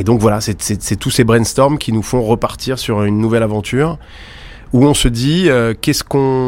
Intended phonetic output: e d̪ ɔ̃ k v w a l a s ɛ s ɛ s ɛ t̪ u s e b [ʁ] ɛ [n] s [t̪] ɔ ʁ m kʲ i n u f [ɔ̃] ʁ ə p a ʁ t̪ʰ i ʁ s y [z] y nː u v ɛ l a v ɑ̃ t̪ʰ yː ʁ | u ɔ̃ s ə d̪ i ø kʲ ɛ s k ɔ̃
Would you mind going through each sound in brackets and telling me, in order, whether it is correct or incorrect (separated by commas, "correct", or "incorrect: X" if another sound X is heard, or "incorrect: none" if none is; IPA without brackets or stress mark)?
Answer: correct, correct, correct, correct, incorrect: ʁ